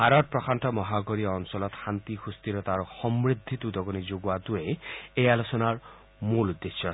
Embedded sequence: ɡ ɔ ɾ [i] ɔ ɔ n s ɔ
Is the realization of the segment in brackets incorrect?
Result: no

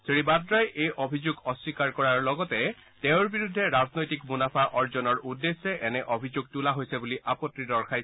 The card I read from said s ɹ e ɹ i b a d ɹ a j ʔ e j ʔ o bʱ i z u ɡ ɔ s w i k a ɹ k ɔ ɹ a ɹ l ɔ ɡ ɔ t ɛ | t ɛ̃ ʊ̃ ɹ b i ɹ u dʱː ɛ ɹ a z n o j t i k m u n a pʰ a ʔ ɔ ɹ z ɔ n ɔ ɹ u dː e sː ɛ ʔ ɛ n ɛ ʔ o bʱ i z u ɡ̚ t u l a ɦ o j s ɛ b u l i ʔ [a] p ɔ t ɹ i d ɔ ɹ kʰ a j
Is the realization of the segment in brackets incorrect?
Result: no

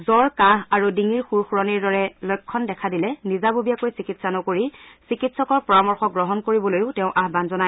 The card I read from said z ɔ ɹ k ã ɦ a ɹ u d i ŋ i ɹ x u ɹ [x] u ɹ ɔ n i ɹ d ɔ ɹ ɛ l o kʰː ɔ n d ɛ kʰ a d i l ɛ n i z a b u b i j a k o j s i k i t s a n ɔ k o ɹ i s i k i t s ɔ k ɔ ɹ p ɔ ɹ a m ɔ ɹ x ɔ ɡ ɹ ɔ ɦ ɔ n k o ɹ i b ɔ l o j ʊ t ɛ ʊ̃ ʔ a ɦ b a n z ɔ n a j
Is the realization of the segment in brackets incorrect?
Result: no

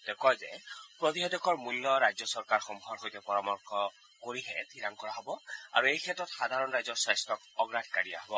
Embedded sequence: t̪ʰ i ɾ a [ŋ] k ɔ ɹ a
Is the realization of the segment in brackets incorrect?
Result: no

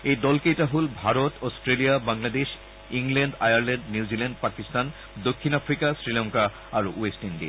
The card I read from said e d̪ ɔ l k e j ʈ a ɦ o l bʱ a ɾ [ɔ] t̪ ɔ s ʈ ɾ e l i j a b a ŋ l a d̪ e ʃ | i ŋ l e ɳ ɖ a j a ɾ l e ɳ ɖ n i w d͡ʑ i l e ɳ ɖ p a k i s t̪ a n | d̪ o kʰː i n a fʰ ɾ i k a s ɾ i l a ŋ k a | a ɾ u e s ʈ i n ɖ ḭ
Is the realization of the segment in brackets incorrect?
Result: yes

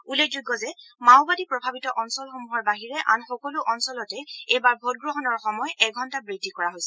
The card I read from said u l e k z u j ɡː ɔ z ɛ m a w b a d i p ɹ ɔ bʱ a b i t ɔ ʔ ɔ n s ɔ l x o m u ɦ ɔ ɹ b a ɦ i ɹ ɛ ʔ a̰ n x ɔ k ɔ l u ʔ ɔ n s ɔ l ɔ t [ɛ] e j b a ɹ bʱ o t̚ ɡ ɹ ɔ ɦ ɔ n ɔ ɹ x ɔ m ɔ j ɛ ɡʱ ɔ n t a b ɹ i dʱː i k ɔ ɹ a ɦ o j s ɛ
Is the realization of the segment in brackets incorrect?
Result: no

